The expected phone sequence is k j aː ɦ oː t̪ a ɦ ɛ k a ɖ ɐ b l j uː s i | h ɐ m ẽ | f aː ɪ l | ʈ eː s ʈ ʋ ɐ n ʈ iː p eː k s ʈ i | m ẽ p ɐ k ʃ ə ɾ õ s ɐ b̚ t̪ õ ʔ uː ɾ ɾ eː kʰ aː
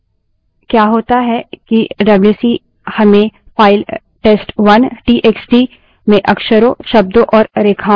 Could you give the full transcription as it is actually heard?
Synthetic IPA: k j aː ɦ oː t̪ a ɦ ɛ k i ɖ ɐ b l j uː s i | h ɐ m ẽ | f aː ɪ l | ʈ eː s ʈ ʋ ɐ n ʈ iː ʔ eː k s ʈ i | m ẽ ʔ ɐ k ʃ ə ɾ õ ʃ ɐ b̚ d̪ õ ʔ ɔː ɾ ɾ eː kʰ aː